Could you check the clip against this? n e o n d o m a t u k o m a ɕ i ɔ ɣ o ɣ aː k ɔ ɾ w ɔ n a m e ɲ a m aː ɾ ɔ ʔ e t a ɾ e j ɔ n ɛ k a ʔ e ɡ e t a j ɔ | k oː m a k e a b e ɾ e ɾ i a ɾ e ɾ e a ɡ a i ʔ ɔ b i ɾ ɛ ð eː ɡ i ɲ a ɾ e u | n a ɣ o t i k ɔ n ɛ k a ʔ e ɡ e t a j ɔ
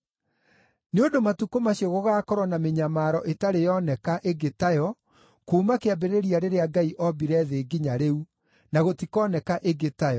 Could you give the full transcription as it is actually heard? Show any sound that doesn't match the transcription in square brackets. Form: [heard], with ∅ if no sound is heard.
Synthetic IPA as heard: n e o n d o m a t u k o m a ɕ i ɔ ɣ o ɣ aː k ɔ ɾ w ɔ n a m e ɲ a m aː ɾ ɔ ʔ e t a ɾ e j ɔ n ɛ k a ʔ e ɡ e t a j ɔ | k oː m a k e a b e ɾ e ɾ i a ɾ e ɾ e a ɡ a i ʔ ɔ b i ɾ ɛ ð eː ɡ i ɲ a ɾ e u | n a ɣ o t i k ɔ n ɛ k a ʔ e ɡ e t a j ɔ